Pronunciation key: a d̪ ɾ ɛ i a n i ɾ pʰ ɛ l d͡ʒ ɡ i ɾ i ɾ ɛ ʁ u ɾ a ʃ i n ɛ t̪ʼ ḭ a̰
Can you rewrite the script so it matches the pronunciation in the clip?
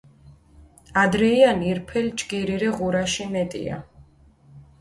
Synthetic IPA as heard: a d̪ ɾ ɛ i a n i ɾ pʰ ɛ l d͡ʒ ɡ i ɾ i ɾ ɛ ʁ u ɾ a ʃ i m ɛ t̪ʼ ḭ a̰